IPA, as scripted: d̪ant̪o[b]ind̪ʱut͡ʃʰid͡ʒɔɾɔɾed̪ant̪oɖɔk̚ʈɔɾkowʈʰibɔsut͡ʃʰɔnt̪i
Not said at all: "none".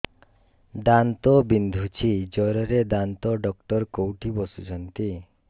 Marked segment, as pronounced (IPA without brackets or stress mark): b